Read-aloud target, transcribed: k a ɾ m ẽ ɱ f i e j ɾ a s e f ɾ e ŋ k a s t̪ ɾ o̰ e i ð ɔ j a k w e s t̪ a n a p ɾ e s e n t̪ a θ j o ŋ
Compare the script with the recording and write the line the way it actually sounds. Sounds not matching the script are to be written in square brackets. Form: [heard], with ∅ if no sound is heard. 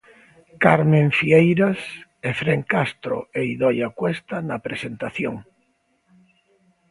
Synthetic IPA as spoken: k a ɾ m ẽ ɱ f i e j ɾ a s e f ɾ e ŋ k a s t̪ ɾ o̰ e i ð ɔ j a k w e s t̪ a n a p ɾ e s e n t̪ a θ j o ŋ